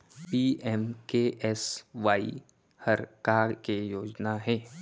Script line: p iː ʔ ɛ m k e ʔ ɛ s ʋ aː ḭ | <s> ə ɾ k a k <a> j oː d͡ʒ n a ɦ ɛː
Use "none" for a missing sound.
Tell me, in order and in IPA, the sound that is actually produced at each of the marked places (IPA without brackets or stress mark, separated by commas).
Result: h, e